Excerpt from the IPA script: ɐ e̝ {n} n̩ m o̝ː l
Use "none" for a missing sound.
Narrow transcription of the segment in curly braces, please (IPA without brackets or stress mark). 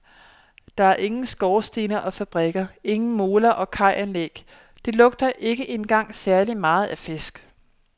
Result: ŋ